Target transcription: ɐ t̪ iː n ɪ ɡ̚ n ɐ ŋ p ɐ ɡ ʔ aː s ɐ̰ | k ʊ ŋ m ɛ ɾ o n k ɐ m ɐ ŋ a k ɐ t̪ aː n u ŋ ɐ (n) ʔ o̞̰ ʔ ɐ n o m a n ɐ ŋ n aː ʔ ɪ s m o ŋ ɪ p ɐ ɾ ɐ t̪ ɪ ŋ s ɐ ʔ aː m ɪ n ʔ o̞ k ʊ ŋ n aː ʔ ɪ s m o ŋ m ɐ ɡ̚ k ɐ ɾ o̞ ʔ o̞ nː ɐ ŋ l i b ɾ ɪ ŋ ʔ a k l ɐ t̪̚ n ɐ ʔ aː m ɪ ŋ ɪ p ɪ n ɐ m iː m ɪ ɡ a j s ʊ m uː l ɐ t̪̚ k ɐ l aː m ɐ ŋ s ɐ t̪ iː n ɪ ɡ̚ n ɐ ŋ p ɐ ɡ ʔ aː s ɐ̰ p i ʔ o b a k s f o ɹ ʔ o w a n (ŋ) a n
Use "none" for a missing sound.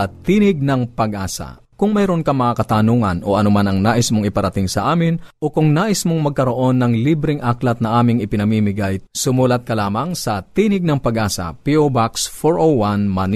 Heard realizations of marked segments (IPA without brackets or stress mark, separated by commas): n, m